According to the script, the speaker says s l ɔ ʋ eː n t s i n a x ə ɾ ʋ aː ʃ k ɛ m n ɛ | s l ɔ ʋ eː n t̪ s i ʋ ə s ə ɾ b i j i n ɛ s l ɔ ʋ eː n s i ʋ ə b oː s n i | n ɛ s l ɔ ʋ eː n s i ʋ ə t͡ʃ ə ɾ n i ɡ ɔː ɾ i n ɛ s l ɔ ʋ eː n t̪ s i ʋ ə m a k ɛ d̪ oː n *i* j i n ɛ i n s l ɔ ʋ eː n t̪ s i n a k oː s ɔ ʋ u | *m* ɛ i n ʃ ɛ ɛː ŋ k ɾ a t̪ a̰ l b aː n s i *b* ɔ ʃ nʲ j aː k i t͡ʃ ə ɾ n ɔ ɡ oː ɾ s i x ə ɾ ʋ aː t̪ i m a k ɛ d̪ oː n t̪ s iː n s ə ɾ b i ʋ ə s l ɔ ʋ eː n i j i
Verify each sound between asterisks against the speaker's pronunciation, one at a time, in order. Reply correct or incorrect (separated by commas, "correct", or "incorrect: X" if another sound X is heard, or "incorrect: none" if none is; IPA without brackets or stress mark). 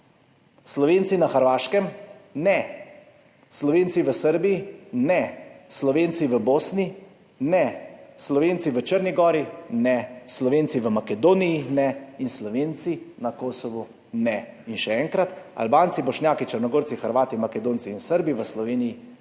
correct, incorrect: n, correct